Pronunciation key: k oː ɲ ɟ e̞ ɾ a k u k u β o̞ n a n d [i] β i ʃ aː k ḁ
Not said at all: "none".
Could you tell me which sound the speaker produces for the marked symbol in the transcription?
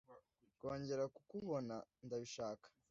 a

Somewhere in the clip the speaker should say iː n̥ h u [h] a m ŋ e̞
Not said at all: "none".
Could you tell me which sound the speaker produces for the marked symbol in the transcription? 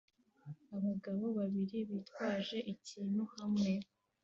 h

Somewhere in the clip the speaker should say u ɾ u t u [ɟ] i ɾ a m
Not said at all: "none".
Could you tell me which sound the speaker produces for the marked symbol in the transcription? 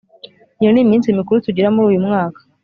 ɟ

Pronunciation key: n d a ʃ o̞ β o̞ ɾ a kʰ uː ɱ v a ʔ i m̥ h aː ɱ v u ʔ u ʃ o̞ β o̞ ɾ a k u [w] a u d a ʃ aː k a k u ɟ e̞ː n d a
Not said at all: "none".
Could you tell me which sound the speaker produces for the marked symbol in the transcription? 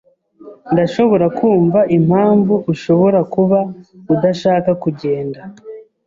β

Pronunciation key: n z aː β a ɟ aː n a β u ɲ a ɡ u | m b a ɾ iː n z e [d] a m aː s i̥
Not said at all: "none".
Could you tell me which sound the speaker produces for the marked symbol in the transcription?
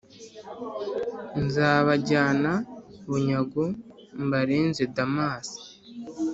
d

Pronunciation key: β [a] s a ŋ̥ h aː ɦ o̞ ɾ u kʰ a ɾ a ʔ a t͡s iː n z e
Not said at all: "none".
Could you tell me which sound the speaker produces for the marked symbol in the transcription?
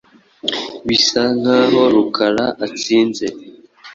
i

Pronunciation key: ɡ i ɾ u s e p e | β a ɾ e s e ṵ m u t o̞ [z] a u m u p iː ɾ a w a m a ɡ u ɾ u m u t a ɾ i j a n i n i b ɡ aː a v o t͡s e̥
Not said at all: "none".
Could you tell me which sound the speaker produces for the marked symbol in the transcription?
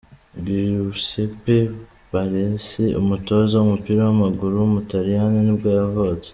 z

